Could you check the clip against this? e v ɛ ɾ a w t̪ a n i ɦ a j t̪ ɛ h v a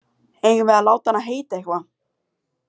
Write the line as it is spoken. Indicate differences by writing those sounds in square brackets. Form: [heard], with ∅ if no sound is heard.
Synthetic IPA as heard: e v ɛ [l] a w t̪ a n [a] ɦ [e] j t̪ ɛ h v a